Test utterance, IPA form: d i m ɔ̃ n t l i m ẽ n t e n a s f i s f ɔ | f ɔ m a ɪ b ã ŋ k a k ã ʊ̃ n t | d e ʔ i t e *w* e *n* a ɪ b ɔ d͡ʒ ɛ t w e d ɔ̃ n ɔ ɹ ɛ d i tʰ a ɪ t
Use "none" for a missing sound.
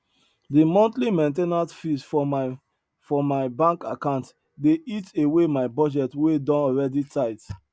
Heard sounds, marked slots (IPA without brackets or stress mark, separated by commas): w, m